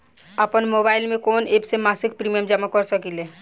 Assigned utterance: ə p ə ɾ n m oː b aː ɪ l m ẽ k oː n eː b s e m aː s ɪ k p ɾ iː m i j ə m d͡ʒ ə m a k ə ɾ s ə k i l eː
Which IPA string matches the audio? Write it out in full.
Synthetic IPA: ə p ə n m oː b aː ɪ l m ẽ k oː n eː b s e m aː s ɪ k p ɾ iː m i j ə m d͡ʒ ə m a k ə ɾ s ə k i l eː